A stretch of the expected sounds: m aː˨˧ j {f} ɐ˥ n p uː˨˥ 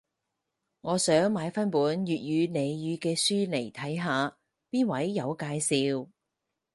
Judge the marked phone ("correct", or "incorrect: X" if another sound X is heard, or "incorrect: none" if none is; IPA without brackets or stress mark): correct